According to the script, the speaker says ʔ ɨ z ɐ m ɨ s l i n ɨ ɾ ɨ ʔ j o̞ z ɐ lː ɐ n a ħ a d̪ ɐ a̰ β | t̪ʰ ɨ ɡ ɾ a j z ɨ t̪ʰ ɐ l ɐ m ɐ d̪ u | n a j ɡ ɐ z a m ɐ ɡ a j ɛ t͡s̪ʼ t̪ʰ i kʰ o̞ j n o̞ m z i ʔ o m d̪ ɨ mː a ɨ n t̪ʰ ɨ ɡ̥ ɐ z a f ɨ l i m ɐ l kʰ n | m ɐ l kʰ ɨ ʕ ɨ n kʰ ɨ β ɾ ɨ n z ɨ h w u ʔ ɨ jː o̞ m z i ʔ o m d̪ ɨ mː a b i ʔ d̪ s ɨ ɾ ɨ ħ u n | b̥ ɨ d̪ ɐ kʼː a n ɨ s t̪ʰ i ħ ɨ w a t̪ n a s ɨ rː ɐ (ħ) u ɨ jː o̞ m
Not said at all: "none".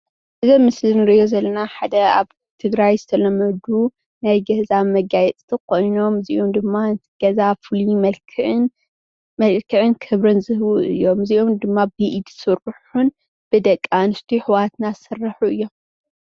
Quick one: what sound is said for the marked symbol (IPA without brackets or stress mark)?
ħ